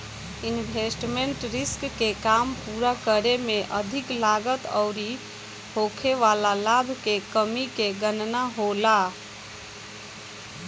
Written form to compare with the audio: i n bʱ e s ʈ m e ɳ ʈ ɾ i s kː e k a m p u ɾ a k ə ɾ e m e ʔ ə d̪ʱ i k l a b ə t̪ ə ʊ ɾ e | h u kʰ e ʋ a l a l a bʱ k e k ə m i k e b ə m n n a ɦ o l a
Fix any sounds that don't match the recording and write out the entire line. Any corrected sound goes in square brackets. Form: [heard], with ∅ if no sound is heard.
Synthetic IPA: i n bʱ e s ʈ m e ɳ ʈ ɾ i s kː e k a m p u ɾ a k ə ɾ e m e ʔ ə d̪ʱ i k l a [ɡ] ə t̪ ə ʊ ɾ [i] | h [o] kʰ e ʋ a l a l a bʱ k e k ə m i k e [ɡ] ə [∅] n n a ɦ o l a